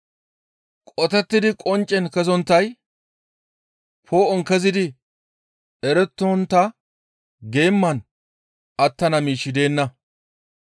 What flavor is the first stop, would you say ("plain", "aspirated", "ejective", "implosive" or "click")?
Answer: ejective